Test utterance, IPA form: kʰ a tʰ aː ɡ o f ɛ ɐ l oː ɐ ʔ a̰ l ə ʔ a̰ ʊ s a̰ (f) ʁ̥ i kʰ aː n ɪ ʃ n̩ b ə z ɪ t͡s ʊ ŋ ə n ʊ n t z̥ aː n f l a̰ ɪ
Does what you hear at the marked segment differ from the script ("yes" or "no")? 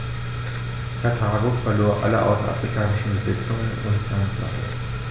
no